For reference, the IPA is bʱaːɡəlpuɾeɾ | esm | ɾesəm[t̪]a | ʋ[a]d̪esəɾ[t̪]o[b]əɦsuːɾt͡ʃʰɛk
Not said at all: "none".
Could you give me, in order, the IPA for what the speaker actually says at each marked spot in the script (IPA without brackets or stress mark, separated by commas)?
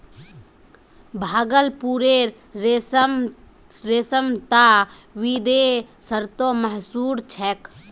t̪, i, t̪, m